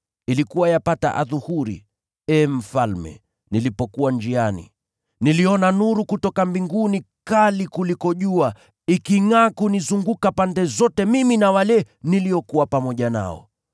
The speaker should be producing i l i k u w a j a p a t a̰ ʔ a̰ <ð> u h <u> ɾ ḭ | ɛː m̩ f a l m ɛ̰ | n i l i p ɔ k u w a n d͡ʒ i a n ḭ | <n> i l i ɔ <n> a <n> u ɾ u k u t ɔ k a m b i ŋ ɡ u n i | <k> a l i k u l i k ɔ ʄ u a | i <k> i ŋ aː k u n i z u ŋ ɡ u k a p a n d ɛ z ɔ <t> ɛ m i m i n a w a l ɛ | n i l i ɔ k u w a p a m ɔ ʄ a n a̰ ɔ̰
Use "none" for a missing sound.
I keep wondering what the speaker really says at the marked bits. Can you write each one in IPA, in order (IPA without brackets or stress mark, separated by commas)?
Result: ð, u, n, n, n, k, k, t